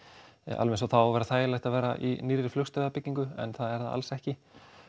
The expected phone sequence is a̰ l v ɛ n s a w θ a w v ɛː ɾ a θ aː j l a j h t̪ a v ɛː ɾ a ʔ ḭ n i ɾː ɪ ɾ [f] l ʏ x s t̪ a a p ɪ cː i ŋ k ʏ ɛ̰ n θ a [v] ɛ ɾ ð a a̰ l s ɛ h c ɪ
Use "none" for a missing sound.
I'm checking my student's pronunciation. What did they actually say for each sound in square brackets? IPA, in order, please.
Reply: f, ð

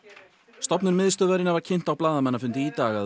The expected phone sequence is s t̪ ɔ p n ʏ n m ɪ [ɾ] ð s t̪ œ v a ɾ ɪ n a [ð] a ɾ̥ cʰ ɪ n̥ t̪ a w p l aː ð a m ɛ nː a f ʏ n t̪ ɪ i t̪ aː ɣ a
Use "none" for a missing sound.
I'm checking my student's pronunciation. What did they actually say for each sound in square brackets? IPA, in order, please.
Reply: none, v

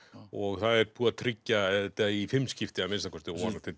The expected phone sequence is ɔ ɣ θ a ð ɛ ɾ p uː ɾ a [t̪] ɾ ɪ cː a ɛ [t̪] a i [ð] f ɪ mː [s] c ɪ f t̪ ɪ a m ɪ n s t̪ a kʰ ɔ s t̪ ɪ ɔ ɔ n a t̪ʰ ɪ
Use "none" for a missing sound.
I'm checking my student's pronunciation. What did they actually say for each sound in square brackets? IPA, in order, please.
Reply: t̪ʰ, t̪, none, s

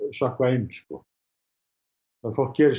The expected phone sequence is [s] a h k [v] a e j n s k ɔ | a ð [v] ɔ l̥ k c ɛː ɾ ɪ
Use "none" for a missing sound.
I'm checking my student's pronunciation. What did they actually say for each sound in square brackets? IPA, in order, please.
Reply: s, v, f

